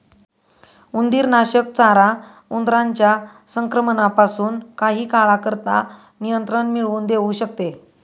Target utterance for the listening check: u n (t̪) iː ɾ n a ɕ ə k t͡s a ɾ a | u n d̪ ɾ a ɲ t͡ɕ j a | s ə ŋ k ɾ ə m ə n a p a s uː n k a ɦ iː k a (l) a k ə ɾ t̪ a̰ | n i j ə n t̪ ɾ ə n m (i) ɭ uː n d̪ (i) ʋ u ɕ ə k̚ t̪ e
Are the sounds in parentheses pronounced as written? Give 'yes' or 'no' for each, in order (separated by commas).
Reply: no, no, yes, no